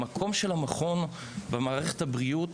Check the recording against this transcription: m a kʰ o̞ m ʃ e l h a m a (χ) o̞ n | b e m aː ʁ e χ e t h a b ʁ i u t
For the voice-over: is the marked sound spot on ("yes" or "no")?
yes